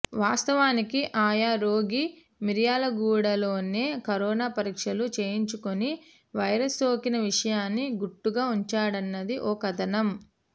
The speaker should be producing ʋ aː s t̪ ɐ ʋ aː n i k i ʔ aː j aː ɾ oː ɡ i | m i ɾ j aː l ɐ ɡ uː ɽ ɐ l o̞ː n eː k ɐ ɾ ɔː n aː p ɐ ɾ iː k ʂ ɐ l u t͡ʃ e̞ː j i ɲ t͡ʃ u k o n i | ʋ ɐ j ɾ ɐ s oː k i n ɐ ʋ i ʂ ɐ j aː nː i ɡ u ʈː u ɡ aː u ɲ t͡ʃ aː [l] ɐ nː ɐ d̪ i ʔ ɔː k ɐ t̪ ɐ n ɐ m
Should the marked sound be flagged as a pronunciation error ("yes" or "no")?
yes